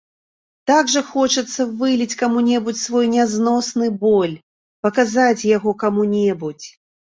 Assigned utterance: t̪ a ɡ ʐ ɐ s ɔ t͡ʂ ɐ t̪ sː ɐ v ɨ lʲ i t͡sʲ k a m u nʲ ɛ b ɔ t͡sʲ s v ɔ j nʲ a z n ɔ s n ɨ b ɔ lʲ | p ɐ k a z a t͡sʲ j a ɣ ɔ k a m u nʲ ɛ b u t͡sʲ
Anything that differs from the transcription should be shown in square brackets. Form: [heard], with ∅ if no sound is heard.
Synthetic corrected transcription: t̪ a ɡ ʐ ɐ [x] ɔ t͡ʂ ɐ t̪ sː ɐ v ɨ lʲ i t͡sʲ k a m u nʲ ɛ b [u] t͡sʲ s v ɔ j nʲ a z n ɔ s n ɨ b ɔ lʲ | p ɐ k a z a t͡sʲ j a ɣ ɔ k a m u nʲ ɛ b u t͡sʲ

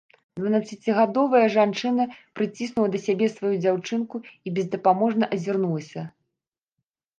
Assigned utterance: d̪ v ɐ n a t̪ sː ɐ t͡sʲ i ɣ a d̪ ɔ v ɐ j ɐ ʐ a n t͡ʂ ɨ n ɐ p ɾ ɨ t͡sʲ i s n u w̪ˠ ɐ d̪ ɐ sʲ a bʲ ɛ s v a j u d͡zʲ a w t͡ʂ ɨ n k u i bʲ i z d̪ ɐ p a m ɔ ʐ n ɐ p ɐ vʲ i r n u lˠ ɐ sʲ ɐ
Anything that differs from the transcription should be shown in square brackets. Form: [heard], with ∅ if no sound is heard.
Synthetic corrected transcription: d̪ v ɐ n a t̪ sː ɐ t͡sʲ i ɣ a d̪ ɔ v ɐ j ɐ ʐ a n t͡ʂ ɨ n ɐ p ɾ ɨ t͡sʲ i s n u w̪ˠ ɐ d̪ ɐ sʲ a bʲ ɛ s v a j u d͡zʲ a w t͡ʂ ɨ n k u i bʲ [ɛ] z d̪ ɐ p a m ɔ ʐ n ɐ [ʔ] ɐ [zʲ] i r n u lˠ ɐ sʲ ɐ

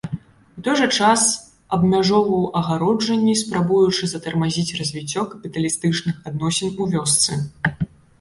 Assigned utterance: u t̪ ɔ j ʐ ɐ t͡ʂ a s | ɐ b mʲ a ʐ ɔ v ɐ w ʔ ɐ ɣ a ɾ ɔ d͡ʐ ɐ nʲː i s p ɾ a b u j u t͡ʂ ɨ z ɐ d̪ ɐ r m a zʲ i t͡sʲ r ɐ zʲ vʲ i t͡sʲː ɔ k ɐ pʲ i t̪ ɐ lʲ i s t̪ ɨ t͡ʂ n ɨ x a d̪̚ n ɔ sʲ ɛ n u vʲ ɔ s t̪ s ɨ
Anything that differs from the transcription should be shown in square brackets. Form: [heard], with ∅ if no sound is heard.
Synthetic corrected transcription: u t̪ ɔ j ʐ ɐ t͡ʂ a s | ɐ b mʲ a ʐ ɔ v ɐ w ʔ ɐ ɣ a ɾ ɔ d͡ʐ ɐ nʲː i s p ɾ a b u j u t͡ʂ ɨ z ɐ [t̪] ɐ r m a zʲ i t͡sʲ r ɐ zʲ vʲ i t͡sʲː ɔ k ɐ pʲ i t̪ ɐ lʲ i s t̪ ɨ t͡ʂ n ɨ x a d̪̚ n ɔ sʲ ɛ n u vʲ ɔ s t̪ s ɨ

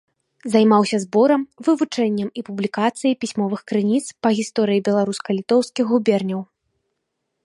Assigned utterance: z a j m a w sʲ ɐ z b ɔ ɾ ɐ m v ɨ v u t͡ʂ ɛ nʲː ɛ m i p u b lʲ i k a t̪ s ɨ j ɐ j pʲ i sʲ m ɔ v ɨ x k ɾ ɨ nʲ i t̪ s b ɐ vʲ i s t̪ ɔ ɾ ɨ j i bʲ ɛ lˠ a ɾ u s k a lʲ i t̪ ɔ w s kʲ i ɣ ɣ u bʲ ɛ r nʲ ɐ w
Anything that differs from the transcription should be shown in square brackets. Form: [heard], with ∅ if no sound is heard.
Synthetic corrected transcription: z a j m a w sʲ ɐ z b ɔ ɾ ɐ m v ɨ v u t͡ʂ ɛ nʲː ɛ m i p u b lʲ i k a t̪ s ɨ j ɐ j pʲ i sʲ m ɔ v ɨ x k ɾ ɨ nʲ i t̪ s [p] ɐ [ɣʲ] i s t̪ ɔ ɾ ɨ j i bʲ ɛ lˠ a ɾ u s k [ɐ] lʲ i t̪ ɔ w s kʲ i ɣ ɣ u bʲ ɛ r nʲ ɐ w

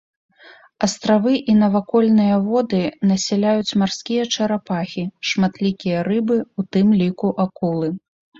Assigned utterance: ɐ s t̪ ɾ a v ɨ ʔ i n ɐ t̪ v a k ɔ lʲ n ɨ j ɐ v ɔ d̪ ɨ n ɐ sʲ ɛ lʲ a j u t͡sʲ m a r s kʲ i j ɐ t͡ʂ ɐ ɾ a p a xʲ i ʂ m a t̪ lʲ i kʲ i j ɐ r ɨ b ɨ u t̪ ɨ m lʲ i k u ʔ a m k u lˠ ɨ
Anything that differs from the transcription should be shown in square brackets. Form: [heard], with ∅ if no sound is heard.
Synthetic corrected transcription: ɐ s t̪ ɾ a v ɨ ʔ i n ɐ [∅] v a k ɔ lʲ n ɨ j ɐ v ɔ d̪ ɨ n ɐ sʲ ɛ lʲ a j u t͡sʲ m a r s kʲ i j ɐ t͡ʂ ɐ ɾ a p a xʲ i ʂ m a t̪ lʲ i kʲ i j ɐ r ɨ b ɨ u t̪ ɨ m lʲ i k u ʔ a [∅] k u lˠ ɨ

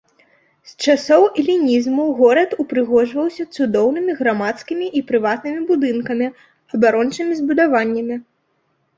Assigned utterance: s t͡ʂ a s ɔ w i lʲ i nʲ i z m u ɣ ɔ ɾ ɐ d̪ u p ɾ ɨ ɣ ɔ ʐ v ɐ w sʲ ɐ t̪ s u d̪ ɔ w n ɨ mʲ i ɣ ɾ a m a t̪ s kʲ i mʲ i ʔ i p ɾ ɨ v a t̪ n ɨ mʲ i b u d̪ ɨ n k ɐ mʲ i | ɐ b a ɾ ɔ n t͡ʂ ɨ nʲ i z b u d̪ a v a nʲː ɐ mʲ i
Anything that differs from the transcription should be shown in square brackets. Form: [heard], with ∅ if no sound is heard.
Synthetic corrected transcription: s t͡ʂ a s ɔ w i lʲ i nʲ i z m u ɣ ɔ ɾ ɐ [t̪] u p ɾ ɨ ɣ ɔ ʐ v ɐ w sʲ ɐ t̪ s u d̪ ɔ w n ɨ mʲ i ɣ ɾ a m a t̪ s kʲ i mʲ i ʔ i p ɾ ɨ v a t̪ n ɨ mʲ i b u d̪ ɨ n k ɐ mʲ i | ɐ b a ɾ ɔ n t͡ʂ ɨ [mʲ] i z b u d̪ a v a nʲː ɐ mʲ i

